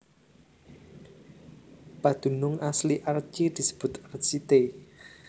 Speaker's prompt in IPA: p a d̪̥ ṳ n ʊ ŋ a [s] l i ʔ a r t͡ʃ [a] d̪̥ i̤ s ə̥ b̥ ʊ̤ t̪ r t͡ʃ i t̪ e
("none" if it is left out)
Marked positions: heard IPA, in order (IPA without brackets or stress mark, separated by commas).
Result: s, i